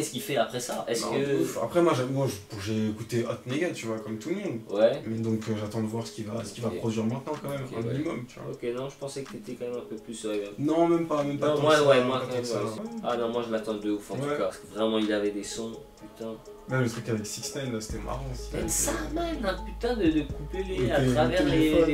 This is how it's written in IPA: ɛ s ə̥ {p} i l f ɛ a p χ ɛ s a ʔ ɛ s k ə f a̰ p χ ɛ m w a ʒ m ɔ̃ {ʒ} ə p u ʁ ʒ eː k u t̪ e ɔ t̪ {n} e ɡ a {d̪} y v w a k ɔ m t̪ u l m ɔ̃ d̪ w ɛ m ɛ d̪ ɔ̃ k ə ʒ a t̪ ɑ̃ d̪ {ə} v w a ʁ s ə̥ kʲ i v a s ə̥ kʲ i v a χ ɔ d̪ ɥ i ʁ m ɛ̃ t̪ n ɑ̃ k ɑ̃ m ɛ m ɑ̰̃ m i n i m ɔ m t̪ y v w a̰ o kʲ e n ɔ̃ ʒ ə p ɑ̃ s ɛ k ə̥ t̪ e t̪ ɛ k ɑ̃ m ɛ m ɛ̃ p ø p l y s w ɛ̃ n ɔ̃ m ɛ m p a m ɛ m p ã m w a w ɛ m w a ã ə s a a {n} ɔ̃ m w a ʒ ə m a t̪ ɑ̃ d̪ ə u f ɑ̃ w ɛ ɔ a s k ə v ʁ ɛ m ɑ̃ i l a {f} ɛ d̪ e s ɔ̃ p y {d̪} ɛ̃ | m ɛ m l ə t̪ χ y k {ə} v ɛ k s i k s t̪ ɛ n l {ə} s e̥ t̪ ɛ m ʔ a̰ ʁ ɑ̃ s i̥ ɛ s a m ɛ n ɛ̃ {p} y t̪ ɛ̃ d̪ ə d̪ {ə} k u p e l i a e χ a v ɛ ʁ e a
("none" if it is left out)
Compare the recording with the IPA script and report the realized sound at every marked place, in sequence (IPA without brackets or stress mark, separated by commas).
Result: k, ʒ, n, t̪, ə, n, v, t̪, a, a, p, ə